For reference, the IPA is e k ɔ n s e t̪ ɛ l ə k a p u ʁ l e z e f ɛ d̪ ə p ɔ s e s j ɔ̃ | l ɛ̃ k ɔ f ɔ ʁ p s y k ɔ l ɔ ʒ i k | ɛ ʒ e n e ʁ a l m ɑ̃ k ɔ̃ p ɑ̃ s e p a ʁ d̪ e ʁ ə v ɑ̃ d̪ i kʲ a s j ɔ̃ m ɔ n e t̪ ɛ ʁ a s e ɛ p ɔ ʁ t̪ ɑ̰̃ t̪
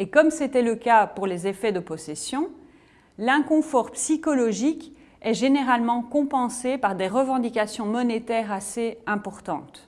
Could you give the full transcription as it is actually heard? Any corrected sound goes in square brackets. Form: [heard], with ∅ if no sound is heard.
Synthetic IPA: e k ɔ [m] s e t̪ ɛ l ə k a p u ʁ l e z e f ɛ d̪ ə p ɔ s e s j ɔ̃ | l ɛ̃ k [ɔ̃] f ɔ ʁ p s [i] k ɔ l ɔ ʒ i k | ɛ ʒ e n e ʁ a l m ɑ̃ k ɔ̃ p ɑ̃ s e p a ʁ d̪ e ʁ ə v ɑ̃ d̪ i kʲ a s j ɔ̃ m ɔ n e t̪ ɛ ʁ a s e [ɛ̃] p ɔ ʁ t̪ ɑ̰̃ t̪